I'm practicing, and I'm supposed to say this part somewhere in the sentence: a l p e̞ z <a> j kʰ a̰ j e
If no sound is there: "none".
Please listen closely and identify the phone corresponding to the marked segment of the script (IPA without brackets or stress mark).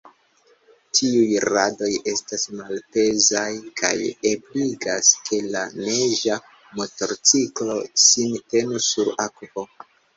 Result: a